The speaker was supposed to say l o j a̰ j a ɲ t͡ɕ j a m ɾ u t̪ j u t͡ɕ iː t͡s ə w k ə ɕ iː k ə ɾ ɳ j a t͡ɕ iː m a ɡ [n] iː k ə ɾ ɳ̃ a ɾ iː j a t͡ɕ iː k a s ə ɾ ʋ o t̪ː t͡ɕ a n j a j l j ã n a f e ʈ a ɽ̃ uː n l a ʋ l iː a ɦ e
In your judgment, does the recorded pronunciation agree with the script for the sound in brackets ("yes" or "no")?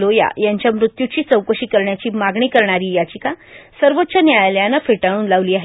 no